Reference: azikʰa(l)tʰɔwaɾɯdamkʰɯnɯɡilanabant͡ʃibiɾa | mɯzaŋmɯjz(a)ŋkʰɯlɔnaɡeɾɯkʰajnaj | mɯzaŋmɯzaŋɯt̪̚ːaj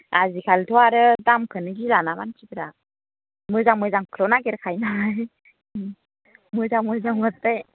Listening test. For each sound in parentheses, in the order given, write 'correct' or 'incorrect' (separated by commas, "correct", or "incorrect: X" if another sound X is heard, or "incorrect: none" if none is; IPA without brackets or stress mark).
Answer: correct, correct